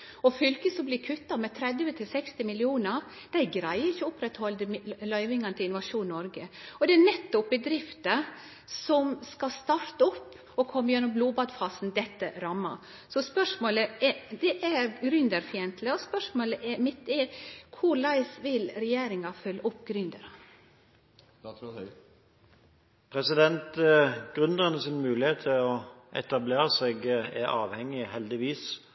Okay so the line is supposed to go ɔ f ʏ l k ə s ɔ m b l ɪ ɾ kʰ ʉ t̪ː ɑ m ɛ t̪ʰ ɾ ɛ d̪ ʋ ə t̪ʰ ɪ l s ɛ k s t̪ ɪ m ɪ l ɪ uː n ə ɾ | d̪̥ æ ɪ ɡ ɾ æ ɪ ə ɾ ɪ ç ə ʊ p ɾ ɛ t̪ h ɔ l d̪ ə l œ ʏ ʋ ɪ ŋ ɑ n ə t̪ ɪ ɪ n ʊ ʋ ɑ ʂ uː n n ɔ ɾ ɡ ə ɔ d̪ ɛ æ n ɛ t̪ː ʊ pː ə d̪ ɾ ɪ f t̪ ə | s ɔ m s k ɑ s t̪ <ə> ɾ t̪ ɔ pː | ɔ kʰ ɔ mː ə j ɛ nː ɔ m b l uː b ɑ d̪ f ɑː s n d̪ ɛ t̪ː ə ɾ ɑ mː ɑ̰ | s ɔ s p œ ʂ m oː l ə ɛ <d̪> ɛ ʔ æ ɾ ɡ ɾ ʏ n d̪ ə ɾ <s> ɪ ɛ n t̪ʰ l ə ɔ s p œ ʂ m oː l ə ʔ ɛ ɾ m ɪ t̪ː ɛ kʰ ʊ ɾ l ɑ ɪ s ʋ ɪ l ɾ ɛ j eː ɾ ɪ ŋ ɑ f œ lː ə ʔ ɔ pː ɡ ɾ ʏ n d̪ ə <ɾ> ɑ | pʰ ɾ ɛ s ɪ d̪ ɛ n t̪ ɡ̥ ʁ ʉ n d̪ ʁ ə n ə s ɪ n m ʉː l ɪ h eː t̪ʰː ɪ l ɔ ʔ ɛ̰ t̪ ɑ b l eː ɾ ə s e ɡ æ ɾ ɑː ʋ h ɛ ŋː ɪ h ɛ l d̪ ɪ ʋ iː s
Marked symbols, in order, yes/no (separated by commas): no, yes, no, yes